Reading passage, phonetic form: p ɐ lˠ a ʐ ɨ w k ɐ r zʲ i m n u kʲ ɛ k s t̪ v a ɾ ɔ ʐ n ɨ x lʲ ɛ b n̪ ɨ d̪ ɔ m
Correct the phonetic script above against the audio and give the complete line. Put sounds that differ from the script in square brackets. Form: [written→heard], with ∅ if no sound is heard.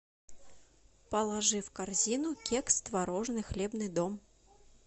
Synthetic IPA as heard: p ɐ lˠ a ʐ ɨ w k [ɐ→a] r zʲ i [m→∅] n u kʲ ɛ k s t̪ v a ɾ ɔ ʐ n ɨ x lʲ ɛ b n̪ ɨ d̪ ɔ m